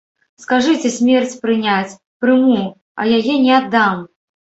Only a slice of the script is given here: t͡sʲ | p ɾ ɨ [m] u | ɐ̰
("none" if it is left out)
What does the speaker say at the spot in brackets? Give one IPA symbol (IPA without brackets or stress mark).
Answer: m